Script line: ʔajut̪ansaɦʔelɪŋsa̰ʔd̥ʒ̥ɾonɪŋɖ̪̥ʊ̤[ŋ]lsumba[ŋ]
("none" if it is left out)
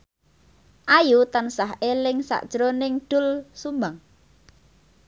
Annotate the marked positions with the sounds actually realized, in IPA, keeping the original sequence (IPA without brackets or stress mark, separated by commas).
none, ŋ